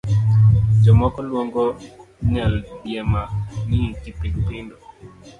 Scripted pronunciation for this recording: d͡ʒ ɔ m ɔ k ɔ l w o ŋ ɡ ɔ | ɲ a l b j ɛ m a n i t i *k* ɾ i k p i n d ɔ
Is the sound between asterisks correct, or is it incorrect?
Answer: incorrect